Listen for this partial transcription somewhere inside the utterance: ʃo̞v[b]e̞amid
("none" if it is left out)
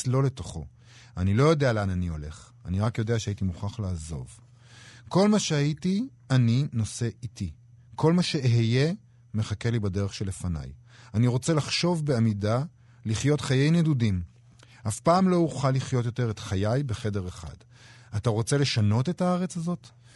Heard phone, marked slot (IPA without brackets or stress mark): b